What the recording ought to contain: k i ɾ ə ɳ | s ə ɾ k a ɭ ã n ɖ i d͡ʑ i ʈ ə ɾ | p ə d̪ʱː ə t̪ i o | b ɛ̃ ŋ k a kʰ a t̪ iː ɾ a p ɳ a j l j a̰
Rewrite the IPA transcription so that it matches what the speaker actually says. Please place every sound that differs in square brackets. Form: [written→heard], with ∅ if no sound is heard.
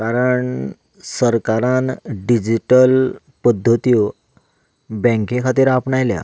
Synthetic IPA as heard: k [i→a] ɾ ə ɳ | s ə ɾ k a [ɭ→ɾ] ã n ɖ i d͡ʑ i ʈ ə [ɾ→l] | p ə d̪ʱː ə t̪ i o | b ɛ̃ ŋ k [a→e] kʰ a t̪ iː ɾ a p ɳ a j l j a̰

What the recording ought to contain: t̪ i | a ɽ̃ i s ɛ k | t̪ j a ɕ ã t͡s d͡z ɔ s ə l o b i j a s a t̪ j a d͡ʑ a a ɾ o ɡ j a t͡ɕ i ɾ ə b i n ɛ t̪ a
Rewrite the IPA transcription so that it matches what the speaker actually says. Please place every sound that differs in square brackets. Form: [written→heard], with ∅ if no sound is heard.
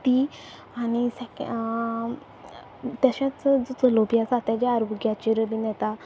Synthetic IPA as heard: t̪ i | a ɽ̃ i s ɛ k | t̪ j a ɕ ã t͡s d͡z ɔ [s→t͡s] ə l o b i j a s a t̪ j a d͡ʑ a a ɾ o ɡ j a t͡ɕ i ɾ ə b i n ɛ t̪ a

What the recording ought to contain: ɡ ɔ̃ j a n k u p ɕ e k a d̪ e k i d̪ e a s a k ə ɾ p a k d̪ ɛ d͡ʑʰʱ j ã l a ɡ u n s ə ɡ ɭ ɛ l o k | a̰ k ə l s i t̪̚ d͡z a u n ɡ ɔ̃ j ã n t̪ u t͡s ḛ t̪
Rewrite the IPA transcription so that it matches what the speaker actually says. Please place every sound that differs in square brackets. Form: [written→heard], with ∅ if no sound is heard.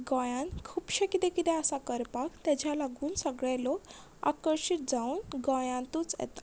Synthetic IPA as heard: ɡ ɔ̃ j a n [k→kʰ] u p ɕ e k [a→i] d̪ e k i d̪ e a s a k ə ɾ p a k [d̪→t̪] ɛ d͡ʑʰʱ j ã l a ɡ u n s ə ɡ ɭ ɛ l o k | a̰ k ə [l→ɾ] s i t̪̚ d͡z a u n ɡ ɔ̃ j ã n t̪ u t͡s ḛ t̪

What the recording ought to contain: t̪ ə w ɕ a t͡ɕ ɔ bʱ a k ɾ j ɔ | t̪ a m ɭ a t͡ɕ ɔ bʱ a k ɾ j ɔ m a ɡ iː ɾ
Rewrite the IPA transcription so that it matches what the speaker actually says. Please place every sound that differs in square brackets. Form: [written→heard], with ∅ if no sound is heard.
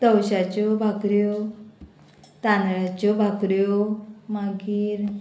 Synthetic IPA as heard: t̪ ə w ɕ a t͡ɕ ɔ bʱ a k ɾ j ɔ | t̪ a [m→n] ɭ a t͡ɕ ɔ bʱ a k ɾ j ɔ m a ɡ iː ɾ

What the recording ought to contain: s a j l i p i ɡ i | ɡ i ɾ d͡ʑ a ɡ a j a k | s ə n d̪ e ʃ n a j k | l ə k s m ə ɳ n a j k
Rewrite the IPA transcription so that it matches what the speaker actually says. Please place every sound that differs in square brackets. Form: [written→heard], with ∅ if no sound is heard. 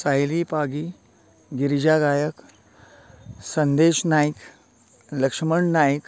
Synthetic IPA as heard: s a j l i p [i→a] ɡ i | ɡ i ɾ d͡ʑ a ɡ a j [a→ə] k | s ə n d̪ e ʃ n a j k | l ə k [s→ʂ] m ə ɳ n a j k

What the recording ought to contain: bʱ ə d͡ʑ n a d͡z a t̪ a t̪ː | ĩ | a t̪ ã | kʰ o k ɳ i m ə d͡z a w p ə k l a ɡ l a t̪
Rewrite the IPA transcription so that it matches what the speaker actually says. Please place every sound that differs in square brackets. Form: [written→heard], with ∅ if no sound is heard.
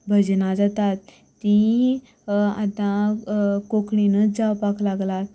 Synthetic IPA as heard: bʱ ə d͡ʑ n a d͡z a t̪ a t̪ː | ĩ | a t̪ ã | [kʰ→k] o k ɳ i [m→n] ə d͡z a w p [ə→a] k l a ɡ l a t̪

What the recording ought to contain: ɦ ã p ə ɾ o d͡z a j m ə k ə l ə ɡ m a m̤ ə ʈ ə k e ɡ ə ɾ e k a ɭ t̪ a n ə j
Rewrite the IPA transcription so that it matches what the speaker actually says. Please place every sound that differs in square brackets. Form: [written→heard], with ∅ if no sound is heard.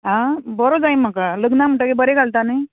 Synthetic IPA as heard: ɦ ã [p→b] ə ɾ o d͡z a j m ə k [ə→a] l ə ɡ [m→n] a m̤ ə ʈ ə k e [ɡ→b] ə ɾ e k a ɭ t̪ a n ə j

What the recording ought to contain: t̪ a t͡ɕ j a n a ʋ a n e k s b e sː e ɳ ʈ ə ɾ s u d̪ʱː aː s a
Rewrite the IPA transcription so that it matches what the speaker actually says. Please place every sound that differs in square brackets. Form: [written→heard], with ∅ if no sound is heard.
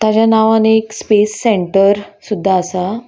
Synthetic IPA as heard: t̪ a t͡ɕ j a n a ʋ a n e k s [b→p] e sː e ɳ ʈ ə ɾ s u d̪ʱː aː s a

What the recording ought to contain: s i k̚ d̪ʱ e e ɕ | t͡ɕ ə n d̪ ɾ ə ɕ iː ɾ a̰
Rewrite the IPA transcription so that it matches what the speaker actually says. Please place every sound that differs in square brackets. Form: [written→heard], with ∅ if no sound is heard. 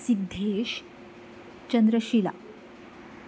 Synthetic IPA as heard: s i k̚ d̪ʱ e e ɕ | t͡ɕ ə n d̪ ɾ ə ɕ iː [ɾ→l] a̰

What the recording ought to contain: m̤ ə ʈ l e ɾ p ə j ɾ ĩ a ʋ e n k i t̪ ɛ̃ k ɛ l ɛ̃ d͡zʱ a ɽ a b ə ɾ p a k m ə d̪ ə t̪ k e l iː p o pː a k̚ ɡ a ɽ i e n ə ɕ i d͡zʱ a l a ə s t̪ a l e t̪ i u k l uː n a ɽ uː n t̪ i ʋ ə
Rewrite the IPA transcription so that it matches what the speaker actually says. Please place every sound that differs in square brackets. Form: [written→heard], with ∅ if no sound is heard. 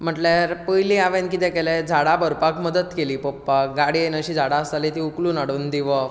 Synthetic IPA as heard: m̤ ə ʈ l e ɾ p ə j [ɾ→l] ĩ a ʋ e n k i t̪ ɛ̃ k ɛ l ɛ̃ d͡zʱ a ɽ a b ə ɾ p a k m ə d̪ ə t̪ k e l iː p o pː a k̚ ɡ a ɽ i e n ə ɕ i d͡zʱ a [l→ɽ] a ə s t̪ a l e t̪ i u k l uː n a ɽ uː n [t̪→d̪] i ʋ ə

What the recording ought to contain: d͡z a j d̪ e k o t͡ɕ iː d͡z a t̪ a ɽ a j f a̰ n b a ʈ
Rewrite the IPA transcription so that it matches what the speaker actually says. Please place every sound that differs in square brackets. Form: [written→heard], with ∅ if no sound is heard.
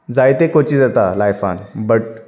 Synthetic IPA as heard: d͡z a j [d̪→t̪] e k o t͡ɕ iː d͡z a t̪ a [ɽ→l] a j f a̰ n b [a→ə] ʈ

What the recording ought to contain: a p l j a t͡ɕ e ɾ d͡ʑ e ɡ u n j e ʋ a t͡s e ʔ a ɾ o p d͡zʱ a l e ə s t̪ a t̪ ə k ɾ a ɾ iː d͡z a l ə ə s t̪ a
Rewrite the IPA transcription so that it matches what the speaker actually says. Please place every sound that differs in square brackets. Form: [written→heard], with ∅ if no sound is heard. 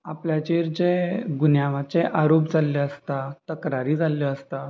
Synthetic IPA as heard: a p l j a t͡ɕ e ɾ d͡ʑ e ɡ u n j [e→a] ʋ a t͡s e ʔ a ɾ o p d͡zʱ a l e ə s t̪ a t̪ ə k ɾ a ɾ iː d͡z a l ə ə s t̪ a

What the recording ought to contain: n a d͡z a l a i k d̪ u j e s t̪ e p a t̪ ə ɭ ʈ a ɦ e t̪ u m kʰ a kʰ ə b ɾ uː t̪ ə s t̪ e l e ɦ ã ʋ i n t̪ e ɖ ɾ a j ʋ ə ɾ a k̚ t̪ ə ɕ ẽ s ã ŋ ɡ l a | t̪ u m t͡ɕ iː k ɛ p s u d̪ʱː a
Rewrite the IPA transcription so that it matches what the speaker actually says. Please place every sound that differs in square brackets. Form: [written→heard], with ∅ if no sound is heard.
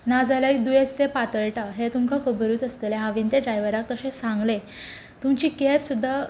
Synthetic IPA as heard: n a d͡z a l a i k d̪ u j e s t̪ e p a t̪ ə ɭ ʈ a ɦ e t̪ u m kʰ a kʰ ə b ɾ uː t̪ ə s t̪ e l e ɦ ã ʋ i n t̪ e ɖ ɾ a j ʋ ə ɾ a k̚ t̪ ə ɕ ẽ s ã ŋ ɡ l [a→e] | t̪ u m t͡ɕ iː k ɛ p s u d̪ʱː a

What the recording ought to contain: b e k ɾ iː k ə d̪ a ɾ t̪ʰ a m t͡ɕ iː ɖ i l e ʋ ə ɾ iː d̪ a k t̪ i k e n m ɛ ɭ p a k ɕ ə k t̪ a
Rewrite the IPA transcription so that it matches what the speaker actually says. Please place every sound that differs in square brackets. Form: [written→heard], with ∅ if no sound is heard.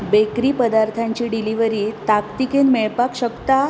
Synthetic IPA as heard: b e k ɾ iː [k→p] ə d̪ a ɾ t̪ʰ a [m→ɲ] t͡ɕ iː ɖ i l [e→i] ʋ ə ɾ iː [d̪→t̪] a k t̪ i k e n m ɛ ɭ p a k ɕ ə k t̪ a

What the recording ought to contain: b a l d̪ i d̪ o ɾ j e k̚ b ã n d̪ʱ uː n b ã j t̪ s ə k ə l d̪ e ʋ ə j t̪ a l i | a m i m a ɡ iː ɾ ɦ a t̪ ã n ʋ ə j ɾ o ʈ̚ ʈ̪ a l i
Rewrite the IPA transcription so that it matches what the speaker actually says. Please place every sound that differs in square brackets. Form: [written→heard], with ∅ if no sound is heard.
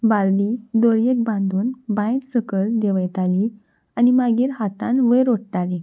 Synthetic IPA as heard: b a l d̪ i d̪ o ɾ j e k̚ b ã n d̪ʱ uː n b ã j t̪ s ə k ə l d̪ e ʋ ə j t̪ a l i | a [m→n] i m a ɡ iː ɾ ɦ a t̪ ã n ʋ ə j ɾ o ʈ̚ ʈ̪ a l i

